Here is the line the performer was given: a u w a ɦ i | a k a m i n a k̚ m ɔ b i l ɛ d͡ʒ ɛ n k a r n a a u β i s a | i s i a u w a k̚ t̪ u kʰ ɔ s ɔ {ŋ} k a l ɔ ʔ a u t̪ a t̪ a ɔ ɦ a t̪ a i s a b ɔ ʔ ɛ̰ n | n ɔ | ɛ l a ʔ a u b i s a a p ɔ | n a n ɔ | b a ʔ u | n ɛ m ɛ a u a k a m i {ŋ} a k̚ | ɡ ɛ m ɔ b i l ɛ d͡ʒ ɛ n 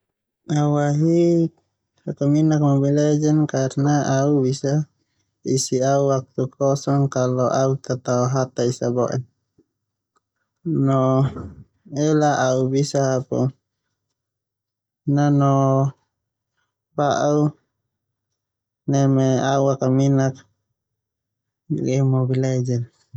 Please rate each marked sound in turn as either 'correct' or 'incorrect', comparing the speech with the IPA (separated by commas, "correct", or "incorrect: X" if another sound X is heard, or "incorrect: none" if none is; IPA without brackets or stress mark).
correct, incorrect: n